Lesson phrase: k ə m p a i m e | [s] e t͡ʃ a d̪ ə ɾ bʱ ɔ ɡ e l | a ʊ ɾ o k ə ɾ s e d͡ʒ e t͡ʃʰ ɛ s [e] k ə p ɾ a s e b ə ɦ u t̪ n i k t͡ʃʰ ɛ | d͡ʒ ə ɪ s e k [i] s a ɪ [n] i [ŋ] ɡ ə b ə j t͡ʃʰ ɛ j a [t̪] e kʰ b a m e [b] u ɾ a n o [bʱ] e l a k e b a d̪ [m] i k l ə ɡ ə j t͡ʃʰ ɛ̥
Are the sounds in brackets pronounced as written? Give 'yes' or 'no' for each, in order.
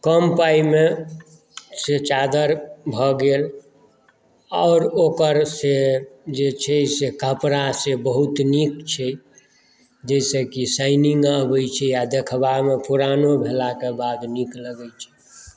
yes, yes, yes, yes, yes, no, no, yes, no

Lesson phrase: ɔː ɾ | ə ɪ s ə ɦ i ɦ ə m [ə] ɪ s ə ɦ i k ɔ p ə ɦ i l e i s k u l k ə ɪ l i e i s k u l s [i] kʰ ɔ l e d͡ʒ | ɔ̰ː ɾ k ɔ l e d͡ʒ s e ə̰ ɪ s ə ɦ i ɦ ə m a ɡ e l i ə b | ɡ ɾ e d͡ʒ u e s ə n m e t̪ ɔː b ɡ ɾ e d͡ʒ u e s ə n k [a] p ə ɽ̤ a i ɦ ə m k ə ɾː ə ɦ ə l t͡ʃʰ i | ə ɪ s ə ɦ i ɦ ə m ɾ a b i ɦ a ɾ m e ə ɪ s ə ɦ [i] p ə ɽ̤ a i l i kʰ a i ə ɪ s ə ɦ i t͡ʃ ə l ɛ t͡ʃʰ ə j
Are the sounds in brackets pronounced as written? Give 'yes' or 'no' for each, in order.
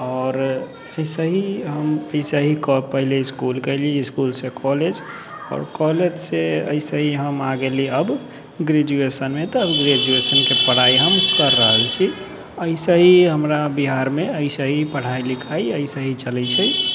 yes, no, no, yes

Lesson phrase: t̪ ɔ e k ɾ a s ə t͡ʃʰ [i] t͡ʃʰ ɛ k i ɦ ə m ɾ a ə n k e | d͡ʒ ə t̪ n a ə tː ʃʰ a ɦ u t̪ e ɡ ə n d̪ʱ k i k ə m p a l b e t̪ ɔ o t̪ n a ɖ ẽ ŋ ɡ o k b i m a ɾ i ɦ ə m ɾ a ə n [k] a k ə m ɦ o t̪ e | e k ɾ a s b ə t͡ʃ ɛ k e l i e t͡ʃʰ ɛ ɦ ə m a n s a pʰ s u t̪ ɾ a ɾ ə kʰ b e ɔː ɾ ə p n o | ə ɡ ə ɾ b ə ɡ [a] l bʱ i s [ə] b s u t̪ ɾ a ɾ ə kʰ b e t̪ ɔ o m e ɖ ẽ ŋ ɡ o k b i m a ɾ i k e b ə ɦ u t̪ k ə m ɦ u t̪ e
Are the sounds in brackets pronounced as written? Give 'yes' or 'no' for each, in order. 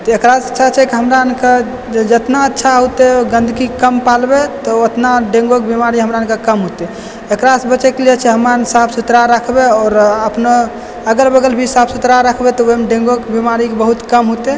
no, yes, no, no

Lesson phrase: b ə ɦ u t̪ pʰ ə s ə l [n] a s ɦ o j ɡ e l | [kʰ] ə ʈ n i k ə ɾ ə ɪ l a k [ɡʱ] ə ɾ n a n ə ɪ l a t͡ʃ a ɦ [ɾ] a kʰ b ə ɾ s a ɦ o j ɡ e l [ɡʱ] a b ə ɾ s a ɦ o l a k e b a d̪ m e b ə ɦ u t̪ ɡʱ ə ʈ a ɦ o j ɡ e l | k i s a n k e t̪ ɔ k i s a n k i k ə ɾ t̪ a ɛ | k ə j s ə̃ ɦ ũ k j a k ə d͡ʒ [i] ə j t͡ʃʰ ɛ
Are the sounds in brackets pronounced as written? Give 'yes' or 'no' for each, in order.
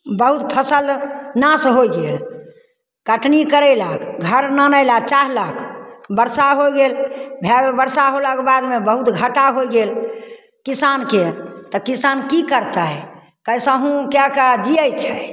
yes, no, yes, no, no, yes

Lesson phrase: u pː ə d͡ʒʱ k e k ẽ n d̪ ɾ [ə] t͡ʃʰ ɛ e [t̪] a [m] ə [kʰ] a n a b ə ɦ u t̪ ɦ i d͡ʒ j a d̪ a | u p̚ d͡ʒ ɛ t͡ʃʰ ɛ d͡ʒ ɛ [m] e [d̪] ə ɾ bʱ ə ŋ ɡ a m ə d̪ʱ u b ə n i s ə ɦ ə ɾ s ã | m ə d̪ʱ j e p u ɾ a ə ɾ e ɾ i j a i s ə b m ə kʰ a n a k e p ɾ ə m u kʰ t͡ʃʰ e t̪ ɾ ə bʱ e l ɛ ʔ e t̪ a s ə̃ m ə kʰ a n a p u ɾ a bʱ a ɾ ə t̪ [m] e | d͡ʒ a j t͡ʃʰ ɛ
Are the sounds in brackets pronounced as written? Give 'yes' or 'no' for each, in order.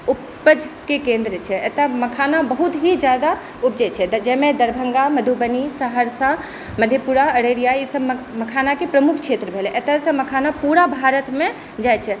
yes, yes, yes, yes, yes, yes, yes

